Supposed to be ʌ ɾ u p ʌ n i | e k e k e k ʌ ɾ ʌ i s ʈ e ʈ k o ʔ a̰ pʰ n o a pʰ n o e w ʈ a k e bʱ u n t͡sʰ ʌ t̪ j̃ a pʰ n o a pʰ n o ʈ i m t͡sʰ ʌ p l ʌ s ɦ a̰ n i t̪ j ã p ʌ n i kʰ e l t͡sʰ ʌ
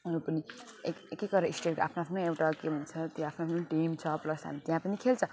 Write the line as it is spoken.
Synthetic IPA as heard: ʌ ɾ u p ʌ n i | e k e k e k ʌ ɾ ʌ i s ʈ e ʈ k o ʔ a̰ pʰ n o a pʰ n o e w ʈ a k e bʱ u n t͡sʰ ʌ t̪ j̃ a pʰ n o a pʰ n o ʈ i m t͡sʰ ʌ p l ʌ s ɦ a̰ m i t̪ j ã p ʌ n i kʰ e l t͡sʰ ʌ